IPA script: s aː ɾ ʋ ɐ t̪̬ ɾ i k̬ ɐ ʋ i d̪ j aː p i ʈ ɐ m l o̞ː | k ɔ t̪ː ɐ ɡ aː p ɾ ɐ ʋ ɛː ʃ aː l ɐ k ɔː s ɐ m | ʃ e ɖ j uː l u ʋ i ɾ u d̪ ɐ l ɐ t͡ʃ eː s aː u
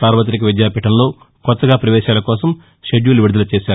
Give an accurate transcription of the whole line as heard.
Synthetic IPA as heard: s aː ɾ ʋ ɐ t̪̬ ɾ i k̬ ɐ ʋ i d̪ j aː p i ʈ ɐ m l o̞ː | k ɔ t̪ː ɐ ɡ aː p ɾ ɐ ʋ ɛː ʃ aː l ɐ k ɔː s ɐ m | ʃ e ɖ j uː l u ʋ i ɽ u d̪ ɐ l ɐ t͡ʃ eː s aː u

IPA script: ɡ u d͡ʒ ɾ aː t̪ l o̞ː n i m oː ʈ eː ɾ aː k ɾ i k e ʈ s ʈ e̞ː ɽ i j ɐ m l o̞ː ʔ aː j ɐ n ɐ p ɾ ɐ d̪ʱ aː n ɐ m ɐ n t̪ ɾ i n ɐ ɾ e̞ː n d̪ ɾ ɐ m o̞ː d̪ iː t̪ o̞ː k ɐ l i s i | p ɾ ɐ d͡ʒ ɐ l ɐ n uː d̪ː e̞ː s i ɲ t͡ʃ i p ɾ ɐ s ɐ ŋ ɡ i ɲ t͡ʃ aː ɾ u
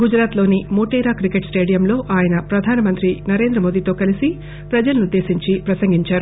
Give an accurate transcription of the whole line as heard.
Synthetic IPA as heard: ɡ u d͡ʒ ɾ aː t̪ l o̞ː n i m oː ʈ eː ɾ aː k ɾ i k e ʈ s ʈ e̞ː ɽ i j ɐ m l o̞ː ʔ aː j ɐ n ɐ p ɾ ɐ d̪ʱ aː n ɐ m ɐ n t̪ ɾ i n ɐ ɾ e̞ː n d̪ ɾ ɐ m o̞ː d̪ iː t̪ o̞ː k ɐ l i s i | p ɾ ɐ d͡ʒ ɐ l ɐ n u d̪ː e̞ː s i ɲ t͡ʃ i p ɾ ɐ s ɐ ŋ ɡ i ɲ t͡ʃ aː ɾ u

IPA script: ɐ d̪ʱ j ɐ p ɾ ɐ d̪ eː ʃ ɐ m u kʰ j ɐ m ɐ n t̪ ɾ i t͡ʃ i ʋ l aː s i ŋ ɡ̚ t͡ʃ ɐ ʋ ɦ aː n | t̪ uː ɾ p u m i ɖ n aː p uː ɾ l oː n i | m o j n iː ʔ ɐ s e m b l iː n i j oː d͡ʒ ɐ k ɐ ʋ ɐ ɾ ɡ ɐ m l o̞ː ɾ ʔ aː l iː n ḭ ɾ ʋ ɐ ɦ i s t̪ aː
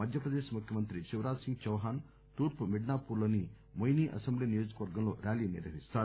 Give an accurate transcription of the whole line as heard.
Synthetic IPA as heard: ɐ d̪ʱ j ɐ p ɾ ɐ d̪ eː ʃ ɐ m u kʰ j ɐ m ɐ n t̪ ɾ i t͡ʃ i ʋ ɾ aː s i ŋ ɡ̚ t͡ʃ ɐ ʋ ɦ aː n | t̪ uː ɾ p u m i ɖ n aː p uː ɾ l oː n i | m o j n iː ʔ ɐ s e m b l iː n i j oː d͡ʒ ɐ k ɐ ʋ ɐ ɾ ɡ ɐ m l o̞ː ɾ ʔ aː l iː n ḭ ɾ ʋ ɐ ɦ i s t̪ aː

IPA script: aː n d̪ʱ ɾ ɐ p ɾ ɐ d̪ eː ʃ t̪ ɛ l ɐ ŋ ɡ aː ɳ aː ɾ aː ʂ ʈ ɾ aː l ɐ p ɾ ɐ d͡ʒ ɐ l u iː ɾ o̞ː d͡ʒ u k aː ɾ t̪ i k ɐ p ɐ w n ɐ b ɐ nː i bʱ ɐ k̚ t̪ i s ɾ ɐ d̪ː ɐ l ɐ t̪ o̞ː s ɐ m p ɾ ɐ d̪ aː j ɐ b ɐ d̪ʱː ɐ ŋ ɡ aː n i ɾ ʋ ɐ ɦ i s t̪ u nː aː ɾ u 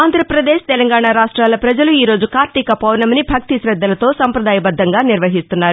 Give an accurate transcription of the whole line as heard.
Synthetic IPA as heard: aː n d̪ʱ ɾ ɐ p ɾ ɐ d̪ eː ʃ t̪ ɛ l ɐ ŋ ɡ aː ɳ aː ɾ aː ʂ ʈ ɾ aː l ɐ p ɾ ɐ d͡ʒ ɐ l u iː ɾ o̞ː d͡ʒ u k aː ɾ t̪ i k ɐ p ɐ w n ɐ m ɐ n i bʱ ɐ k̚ t̪ i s ɾ ɐ d̪ː ɐ l ɐ t̪ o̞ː s ɐ m p ɾ ɐ d̪ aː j ɐ b ɐ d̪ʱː ɐ ŋ ɡ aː n i ɾ ʋ ɐ ɦ i s t̪ u nː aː ɾ u

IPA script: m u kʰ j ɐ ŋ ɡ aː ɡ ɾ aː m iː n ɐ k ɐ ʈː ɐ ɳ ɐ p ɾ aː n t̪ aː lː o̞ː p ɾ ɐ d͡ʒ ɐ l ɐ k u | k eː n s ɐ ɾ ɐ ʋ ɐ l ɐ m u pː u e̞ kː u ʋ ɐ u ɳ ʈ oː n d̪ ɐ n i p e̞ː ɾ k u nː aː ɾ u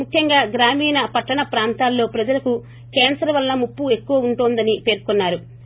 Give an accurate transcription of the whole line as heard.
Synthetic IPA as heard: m u kʰ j ɐ ŋ ɡ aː ɡ ɾ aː m iː n ɐ p ɐ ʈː ɐ ɳ ɐ p ɾ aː n t̪ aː lː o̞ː p ɾ ɐ d͡ʒ ɐ l ɐ k u | k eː n s ɐ ɾ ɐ ʋ ɐ lː ɐ m u pː u e̞ kː u ʋ ɐ u ɳ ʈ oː n d̪ ɐ n i p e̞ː ɾ k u nː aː ɾ u

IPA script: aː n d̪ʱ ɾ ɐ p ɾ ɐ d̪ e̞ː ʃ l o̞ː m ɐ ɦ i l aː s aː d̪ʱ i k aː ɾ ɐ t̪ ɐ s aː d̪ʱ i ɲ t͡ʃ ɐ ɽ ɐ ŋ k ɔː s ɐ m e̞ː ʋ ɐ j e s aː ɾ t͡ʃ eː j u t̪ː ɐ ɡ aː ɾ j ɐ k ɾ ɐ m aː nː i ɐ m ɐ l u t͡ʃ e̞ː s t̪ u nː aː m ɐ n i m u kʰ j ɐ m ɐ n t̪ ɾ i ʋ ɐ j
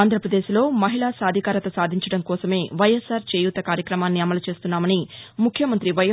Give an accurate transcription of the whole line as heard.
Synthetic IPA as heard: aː n d̪ʱ ɾ ɐ p ɾ ɐ d̪ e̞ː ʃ l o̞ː m ɐ ɦ i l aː s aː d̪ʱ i k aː ɾ ɐ t̪ ɐ s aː d̪ʱ i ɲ t͡ʃ ɐ ɽ ɐ ŋ k ɔː s ɐ m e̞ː ʋ ɐ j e s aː ɾ t͡ʃ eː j u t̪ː ɐ k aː ɾ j ɐ k ɾ ɐ m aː nː i ɐ m ɐ l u t͡ʃ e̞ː s t̪ u nː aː m ɐ n i m u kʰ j ɐ m ɐ n t̪ ɾ i ʋ ɐ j

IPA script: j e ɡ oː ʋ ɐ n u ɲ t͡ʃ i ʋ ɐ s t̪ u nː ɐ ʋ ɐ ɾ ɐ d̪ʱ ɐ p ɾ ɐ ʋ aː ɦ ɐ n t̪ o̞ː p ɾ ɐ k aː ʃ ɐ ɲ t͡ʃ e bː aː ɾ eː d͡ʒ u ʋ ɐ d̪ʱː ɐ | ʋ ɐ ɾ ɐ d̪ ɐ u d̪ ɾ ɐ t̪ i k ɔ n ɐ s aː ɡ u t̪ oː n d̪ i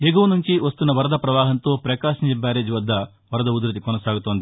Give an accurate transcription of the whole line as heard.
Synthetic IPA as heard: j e ɡ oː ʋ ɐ n u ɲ t͡ʃ i ʋ ɐ s t̪ u nː ɐ ʋ ɐ ɾ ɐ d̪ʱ ɐ p ɾ ɐ ʋ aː ɦ ɐ n t̪ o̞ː p ɾ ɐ k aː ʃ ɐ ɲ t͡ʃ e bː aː ɾ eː d͡ʒ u ʋ ɐ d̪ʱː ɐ | ʋ ɐ ɾ ɐ d̪ ɐ u d̪ ɾ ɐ t̪ i k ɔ n ɐ s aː ɡ u t̪ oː n d̪ i

